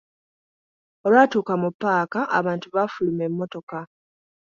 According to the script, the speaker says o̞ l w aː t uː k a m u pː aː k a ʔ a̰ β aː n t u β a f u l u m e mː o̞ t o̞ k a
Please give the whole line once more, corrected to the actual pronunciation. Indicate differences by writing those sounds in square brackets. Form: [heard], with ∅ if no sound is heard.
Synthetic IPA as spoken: o̞ l w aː t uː k a m u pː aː k a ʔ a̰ β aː n t u β a f u l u m e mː o̞ t o̞ k a